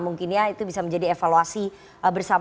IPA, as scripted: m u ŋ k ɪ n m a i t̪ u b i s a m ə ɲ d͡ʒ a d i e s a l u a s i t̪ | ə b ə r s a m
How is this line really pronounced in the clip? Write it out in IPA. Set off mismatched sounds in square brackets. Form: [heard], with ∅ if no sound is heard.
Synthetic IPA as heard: m u ŋ k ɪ n [ɲ] a i t̪ u b i s a m ə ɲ d͡ʒ a d i e [f] a l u a s i [∅] | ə b ə r s a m